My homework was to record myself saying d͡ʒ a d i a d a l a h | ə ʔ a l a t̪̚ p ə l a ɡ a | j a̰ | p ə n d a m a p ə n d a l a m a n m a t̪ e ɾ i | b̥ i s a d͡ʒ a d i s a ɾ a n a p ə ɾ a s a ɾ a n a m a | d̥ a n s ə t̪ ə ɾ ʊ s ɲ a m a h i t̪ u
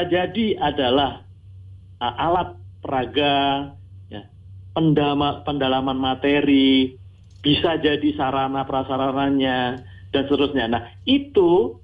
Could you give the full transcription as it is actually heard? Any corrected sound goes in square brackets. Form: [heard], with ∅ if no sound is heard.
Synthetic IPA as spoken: d͡ʒ a d i a d a l a h | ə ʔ a l a t̪̚ p ə [ɾ] a ɡ a | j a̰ | p ə n d a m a p ə n d a l a m a n m a t̪ e ɾ i | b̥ i s a d͡ʒ a d i s a ɾ a n a p ə ɾ a s a ɾ a n a [ɲ] a | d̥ a n s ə t̪ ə ɾ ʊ s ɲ a [n] a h i t̪ u